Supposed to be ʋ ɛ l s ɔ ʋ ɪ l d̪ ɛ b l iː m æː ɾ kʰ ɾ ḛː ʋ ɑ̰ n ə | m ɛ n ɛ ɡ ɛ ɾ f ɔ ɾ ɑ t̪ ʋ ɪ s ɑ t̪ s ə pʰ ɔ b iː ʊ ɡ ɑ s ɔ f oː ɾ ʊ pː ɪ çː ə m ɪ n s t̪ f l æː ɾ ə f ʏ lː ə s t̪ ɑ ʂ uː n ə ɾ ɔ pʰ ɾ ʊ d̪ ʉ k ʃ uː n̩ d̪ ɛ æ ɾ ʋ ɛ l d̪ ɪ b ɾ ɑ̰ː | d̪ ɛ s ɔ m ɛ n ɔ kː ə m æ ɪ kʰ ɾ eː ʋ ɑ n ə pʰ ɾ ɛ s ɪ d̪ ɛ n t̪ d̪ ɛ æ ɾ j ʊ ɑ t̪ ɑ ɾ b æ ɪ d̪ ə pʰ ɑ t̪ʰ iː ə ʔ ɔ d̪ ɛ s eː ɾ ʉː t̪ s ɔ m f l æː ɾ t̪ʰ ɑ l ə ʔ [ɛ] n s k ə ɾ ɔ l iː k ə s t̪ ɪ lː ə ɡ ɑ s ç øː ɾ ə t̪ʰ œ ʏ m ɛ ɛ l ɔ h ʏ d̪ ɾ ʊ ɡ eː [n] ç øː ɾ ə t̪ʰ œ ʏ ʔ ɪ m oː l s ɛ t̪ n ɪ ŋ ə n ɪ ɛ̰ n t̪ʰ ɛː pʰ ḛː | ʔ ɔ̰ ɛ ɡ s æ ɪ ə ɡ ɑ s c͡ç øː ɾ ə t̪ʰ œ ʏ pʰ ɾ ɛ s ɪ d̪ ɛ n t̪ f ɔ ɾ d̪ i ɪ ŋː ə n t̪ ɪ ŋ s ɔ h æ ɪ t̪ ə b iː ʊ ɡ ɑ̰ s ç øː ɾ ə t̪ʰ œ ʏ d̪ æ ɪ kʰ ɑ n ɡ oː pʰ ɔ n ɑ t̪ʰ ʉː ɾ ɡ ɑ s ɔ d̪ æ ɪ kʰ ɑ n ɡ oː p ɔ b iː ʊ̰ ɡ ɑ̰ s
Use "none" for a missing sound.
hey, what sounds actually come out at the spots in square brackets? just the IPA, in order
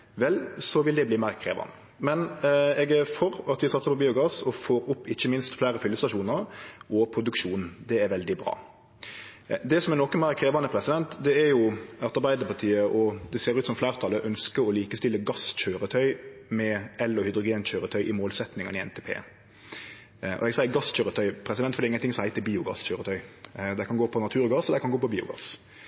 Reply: œ, n

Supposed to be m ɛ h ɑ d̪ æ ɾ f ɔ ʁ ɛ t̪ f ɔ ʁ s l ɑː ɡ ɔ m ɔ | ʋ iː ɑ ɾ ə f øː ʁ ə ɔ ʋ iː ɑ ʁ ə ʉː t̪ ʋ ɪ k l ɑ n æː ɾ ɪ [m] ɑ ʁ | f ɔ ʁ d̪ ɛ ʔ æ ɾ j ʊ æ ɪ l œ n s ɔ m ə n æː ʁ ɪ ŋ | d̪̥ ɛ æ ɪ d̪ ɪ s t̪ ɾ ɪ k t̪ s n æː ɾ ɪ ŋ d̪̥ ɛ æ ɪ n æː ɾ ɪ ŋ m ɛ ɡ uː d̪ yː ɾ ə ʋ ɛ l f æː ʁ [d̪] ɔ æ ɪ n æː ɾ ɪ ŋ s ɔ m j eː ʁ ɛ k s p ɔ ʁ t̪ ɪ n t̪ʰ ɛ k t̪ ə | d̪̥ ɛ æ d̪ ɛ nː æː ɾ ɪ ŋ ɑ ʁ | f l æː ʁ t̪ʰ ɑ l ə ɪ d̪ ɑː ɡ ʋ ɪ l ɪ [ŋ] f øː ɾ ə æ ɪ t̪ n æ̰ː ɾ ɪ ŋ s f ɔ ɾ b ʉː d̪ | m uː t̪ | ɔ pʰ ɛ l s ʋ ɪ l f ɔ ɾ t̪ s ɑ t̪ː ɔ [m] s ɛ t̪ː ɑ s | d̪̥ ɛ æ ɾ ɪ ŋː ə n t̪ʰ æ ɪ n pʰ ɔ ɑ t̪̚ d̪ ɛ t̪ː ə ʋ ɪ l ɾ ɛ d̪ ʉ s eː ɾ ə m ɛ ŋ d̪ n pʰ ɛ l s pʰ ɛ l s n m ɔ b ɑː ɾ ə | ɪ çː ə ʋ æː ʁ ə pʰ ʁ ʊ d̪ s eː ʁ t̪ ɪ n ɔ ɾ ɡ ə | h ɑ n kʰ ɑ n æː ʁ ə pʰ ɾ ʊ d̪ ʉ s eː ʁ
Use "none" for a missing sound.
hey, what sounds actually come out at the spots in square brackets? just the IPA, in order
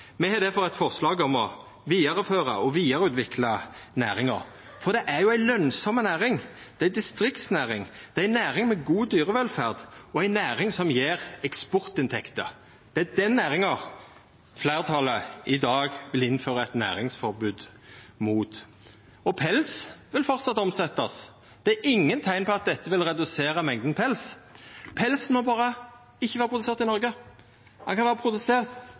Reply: ŋ, d̪, n, m

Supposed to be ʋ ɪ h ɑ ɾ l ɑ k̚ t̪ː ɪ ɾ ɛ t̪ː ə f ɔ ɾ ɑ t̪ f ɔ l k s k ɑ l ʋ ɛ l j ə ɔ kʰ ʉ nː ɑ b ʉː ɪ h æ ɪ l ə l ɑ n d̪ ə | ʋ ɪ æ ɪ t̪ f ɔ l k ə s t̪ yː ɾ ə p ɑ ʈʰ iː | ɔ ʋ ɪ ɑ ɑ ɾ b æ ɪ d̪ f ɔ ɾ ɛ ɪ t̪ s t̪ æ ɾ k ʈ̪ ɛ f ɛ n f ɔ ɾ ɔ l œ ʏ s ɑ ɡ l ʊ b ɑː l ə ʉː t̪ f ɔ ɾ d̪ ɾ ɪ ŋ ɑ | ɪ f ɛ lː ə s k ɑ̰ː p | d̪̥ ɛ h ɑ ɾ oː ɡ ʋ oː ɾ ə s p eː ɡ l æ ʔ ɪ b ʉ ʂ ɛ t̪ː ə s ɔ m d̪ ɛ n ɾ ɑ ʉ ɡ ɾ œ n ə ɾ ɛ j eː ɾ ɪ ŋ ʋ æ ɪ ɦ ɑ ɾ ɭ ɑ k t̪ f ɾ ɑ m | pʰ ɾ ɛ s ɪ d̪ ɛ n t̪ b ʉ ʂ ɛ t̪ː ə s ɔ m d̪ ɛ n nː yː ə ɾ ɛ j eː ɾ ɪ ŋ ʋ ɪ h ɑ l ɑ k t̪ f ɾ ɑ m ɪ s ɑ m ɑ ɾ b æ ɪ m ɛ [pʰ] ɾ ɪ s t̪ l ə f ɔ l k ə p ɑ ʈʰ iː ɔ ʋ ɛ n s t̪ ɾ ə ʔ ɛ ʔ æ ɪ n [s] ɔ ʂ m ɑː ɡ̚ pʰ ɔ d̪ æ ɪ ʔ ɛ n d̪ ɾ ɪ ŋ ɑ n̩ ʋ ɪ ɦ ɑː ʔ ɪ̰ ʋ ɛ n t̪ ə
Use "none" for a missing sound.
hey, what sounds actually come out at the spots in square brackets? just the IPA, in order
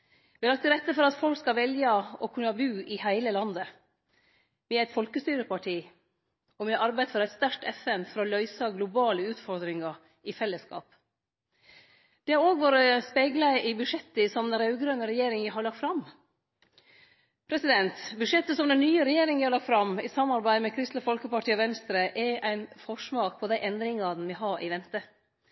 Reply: kʰ, f

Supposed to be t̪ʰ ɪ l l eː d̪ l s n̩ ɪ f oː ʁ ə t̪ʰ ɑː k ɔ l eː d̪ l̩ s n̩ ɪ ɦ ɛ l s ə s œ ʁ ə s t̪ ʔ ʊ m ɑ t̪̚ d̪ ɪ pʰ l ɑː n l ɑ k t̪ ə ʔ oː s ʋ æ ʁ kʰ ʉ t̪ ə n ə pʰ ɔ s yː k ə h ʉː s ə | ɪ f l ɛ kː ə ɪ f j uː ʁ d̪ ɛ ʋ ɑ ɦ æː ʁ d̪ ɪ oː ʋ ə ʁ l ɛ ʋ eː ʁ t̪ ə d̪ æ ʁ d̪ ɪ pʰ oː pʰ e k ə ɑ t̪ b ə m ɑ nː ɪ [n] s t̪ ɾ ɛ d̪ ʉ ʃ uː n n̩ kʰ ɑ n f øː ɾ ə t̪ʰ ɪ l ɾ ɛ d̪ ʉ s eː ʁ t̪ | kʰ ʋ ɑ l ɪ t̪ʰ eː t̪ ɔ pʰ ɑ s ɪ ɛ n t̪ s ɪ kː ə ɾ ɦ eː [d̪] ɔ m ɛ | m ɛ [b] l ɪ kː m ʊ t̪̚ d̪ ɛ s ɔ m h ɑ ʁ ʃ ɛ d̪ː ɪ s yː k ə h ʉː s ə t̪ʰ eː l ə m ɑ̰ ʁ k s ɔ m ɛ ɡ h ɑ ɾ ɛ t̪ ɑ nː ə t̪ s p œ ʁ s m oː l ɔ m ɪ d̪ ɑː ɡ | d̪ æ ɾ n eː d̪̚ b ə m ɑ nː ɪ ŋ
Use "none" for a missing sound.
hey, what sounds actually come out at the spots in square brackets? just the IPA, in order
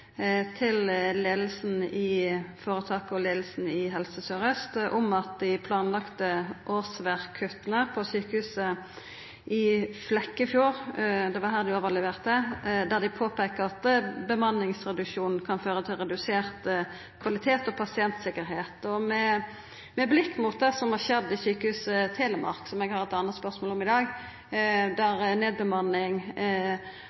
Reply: ŋ, t̪, b

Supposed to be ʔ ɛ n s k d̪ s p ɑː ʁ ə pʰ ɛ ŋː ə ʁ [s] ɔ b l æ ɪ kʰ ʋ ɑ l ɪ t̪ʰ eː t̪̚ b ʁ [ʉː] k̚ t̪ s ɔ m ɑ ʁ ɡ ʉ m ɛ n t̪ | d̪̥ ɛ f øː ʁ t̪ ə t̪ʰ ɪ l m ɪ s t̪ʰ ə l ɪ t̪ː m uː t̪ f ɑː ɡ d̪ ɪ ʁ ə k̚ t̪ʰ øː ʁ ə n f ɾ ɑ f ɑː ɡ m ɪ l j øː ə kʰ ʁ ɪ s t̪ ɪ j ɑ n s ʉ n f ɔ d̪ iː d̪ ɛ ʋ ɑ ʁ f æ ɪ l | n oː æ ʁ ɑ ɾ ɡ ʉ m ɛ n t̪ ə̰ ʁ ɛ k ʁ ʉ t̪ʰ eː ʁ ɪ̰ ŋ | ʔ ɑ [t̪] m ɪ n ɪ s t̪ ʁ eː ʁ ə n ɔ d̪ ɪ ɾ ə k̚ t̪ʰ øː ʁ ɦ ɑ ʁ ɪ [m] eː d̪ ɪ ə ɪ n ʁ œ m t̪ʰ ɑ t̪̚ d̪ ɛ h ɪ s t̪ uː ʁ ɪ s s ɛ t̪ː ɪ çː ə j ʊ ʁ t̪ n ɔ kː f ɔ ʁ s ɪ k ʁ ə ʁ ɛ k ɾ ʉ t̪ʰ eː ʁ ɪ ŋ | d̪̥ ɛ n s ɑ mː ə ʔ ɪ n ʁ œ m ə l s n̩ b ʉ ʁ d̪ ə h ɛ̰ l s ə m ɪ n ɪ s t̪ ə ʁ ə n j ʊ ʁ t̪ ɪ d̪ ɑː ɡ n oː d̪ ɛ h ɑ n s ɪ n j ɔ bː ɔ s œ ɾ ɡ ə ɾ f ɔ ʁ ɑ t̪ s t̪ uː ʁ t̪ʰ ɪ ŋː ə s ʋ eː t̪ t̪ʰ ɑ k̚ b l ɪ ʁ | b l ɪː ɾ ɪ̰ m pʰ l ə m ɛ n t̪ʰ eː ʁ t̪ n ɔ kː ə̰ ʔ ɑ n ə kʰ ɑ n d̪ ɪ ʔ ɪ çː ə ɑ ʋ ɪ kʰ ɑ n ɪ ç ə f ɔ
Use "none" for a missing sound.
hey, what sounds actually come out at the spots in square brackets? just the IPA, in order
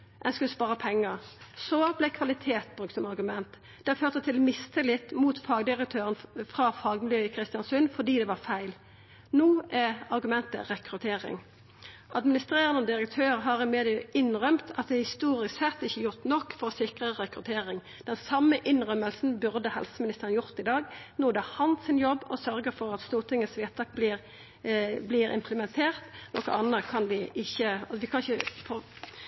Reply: s, ʉ, d̪, m

